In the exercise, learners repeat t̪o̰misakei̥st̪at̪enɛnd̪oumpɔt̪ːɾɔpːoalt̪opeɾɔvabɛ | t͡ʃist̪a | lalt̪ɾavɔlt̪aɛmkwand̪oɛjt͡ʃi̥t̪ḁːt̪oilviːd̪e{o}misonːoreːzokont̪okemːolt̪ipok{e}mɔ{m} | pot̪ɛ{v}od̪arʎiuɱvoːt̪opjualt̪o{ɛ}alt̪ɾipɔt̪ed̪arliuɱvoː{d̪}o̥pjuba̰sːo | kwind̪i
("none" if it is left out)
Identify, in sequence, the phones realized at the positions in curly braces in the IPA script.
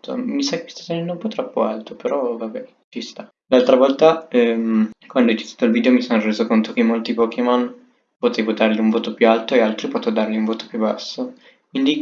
o, e, n, v, e, t̪

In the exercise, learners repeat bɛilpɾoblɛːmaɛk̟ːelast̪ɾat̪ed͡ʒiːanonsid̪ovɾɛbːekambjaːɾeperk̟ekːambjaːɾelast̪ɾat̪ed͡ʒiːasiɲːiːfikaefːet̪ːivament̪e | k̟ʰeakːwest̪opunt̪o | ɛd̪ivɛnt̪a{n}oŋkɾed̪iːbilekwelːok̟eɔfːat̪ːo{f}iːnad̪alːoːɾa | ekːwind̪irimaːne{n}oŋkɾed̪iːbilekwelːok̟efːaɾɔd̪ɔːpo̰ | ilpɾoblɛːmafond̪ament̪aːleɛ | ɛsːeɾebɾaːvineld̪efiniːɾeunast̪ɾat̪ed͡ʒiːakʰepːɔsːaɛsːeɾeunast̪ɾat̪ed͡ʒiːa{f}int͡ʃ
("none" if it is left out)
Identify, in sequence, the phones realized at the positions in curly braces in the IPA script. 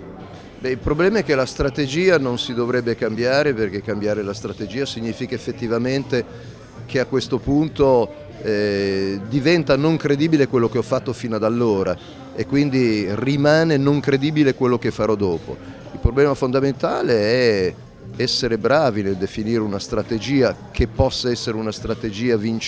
n, f, n, v

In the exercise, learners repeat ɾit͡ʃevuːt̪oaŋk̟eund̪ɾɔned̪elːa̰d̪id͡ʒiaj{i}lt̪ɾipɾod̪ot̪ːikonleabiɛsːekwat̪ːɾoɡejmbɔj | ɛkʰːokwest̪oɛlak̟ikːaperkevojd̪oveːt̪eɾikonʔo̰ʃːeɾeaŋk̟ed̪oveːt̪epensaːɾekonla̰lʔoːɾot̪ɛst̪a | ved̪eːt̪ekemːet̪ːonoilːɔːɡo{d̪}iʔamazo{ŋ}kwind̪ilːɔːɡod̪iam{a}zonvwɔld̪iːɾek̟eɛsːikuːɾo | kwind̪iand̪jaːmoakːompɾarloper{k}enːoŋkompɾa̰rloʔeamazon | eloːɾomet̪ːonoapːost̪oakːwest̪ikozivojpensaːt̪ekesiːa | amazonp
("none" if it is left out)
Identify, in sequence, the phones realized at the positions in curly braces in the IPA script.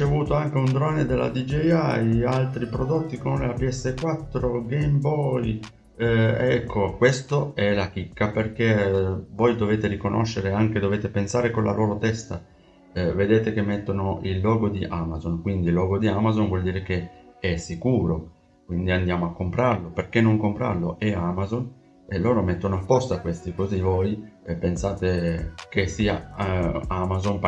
a, d̪, n, a, k

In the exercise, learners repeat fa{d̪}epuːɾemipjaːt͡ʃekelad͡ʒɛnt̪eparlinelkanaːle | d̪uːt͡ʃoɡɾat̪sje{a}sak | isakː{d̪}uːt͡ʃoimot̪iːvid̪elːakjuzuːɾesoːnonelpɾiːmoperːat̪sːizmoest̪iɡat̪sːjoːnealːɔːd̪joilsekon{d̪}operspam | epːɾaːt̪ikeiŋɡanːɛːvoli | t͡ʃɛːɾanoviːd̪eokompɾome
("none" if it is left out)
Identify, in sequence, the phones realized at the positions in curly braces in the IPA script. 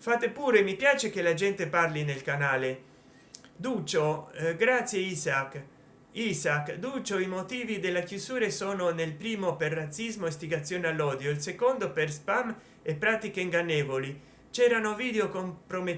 t̪, i, d̪, d̪

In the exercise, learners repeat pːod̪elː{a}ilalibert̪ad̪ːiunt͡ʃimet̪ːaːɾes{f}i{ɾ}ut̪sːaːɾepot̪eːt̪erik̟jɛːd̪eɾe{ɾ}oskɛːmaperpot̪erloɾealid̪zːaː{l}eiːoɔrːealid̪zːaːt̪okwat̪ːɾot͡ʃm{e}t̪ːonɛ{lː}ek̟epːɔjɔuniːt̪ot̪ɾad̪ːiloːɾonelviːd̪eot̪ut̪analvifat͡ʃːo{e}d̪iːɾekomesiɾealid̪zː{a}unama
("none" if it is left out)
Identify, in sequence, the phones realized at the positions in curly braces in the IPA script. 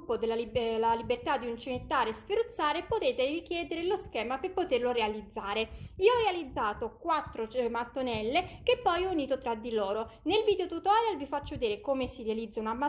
a, f, ɾ, l, ɾ, a, lː, e, a

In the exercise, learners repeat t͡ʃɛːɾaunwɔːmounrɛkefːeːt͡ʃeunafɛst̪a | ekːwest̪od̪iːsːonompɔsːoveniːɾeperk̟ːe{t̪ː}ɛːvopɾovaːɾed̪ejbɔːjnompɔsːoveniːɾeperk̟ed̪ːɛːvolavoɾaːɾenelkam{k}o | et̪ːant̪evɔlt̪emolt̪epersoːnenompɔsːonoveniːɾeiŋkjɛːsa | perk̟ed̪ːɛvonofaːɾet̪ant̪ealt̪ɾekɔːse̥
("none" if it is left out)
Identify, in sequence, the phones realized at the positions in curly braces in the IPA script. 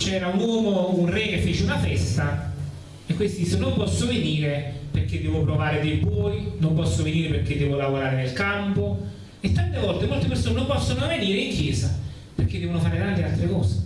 d̪ː, p

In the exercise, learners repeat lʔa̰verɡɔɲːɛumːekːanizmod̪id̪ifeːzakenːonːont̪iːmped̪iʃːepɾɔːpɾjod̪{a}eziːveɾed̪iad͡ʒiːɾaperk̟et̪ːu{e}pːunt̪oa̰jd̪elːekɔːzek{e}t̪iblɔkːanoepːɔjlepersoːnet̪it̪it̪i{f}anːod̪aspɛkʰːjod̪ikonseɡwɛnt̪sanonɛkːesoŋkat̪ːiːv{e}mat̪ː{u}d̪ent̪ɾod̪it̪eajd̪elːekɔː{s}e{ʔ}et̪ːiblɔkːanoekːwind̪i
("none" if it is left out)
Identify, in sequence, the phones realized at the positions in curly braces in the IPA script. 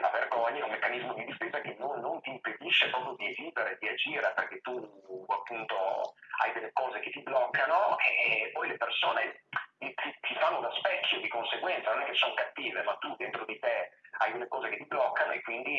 i, a, e, f, e, u, z, k

